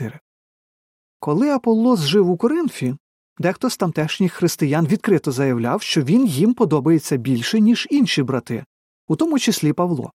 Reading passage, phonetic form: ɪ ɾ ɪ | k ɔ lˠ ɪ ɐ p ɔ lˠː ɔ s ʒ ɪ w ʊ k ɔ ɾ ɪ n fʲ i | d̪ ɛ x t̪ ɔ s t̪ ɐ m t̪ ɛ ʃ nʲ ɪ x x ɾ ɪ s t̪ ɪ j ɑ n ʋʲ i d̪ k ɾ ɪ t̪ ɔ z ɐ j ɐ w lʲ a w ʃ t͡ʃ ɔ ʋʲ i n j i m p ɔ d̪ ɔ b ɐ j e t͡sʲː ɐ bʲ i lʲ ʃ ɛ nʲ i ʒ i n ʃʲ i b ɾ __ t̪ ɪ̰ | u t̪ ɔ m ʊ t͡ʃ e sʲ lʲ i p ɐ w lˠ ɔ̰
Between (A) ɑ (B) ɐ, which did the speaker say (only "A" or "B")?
B